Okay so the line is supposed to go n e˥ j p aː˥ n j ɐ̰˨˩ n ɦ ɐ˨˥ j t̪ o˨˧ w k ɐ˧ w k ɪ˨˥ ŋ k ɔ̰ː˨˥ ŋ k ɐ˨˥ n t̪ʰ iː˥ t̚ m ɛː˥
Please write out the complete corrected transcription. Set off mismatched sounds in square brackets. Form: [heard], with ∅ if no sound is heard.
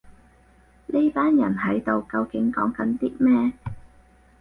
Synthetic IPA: n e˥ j p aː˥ n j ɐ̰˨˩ n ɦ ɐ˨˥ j t̪ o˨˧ w k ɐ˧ w k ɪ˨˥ ŋ k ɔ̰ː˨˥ ŋ k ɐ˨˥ n [t̪] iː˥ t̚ m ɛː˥